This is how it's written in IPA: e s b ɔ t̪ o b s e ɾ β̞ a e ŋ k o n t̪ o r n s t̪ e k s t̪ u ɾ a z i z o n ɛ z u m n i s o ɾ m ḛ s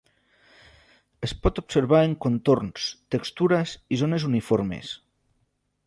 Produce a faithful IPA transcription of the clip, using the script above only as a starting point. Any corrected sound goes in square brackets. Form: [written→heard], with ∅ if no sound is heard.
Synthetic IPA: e s [b→p] ɔ t̪ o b s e ɾ β̞ a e ŋ k o n t̪ o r n s t̪ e k s t̪ u ɾ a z i z o n [ɛ→e] z u [m→∅] n i [s→f] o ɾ m ḛ s